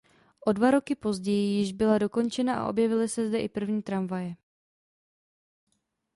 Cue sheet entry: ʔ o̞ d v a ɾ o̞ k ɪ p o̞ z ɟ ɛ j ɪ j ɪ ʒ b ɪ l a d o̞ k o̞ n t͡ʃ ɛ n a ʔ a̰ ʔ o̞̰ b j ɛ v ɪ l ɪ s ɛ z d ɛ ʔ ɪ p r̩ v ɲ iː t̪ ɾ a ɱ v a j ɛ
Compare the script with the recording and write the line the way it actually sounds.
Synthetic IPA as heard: ʔ o̞ d v a ɾ o̞ k ɪ p o̞ z ɟ ɛ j ɪ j ɪ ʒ b ɪ l a d o̞ k o̞ n t͡ʃ ɛ n a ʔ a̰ ʔ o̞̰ b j ɛ v ɪ l ɪ s ɛ z d ɛ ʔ ɪ p r̩ v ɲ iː t̪ ɾ a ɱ v a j ɛ